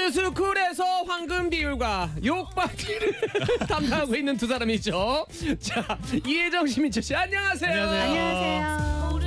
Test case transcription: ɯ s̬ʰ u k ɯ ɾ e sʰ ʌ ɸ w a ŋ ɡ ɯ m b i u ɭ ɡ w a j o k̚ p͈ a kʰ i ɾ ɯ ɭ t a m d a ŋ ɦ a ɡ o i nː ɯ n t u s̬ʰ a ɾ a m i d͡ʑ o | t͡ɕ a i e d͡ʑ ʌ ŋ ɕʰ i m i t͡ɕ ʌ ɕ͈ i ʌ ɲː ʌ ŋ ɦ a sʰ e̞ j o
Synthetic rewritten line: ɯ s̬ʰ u k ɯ ɾ e sʰ ʌ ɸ w a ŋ ɡ ɯ m b i u ɭ ɡ w a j o k̚ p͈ a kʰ i ɾ ɯ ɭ t a m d a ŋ ɦ a ɡ o i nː ɯ n t u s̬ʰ a ɾ a m i d͡ʑ o | t͡ɕ a i e d͡ʑ ʌ ŋ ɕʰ i m i t͡ɕ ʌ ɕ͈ i a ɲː ʌ ŋ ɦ a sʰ e̞ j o